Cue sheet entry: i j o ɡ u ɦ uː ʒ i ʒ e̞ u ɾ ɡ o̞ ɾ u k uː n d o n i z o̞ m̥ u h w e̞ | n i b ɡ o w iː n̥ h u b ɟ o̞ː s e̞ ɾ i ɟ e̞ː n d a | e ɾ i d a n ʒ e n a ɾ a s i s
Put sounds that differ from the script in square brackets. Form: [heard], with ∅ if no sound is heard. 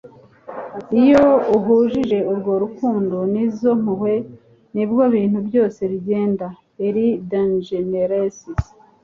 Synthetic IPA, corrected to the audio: i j o [∅] u ɦ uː ʒ i ʒ e̞ u ɾ ɡ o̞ ɾ u k uː n d o n i z o̞ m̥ u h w e̞ | n i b ɡ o [β] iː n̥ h u b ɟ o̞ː s e̞ ɾ i ɟ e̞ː n d a | e ɾ i d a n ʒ e n [e] ɾ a s i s